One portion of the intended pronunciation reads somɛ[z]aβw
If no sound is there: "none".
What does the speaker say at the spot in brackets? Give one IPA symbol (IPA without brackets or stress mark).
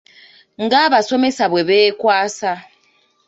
s